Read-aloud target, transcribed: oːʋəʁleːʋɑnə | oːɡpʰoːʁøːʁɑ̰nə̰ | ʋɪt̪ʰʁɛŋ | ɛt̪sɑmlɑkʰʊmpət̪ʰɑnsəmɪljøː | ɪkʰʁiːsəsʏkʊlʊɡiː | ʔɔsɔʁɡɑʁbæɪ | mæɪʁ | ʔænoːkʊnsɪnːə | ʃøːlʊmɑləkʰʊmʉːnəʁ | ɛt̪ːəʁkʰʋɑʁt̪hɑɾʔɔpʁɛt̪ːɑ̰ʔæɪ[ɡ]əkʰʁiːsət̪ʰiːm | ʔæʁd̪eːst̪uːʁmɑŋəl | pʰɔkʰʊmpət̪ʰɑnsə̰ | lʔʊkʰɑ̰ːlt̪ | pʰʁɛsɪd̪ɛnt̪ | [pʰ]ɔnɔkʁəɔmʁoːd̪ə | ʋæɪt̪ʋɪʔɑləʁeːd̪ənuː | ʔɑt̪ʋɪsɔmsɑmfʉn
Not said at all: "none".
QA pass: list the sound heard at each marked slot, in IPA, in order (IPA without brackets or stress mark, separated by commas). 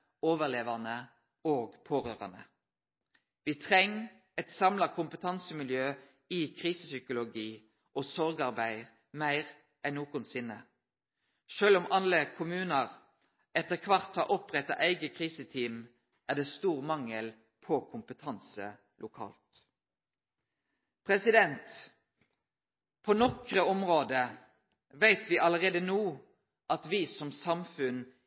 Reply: ɡ, pʰ